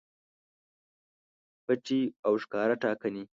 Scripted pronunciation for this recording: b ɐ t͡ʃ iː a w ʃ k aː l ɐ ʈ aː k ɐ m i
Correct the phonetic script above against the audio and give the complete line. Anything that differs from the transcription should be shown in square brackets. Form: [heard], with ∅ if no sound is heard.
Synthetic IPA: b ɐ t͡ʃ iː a w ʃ k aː [ɾ] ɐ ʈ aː k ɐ [n] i